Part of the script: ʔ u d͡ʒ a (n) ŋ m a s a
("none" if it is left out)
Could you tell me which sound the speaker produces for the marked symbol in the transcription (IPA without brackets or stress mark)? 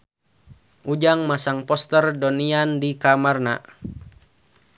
none